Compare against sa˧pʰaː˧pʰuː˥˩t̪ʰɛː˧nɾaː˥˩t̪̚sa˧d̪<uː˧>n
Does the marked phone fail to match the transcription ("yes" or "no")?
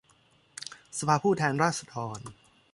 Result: yes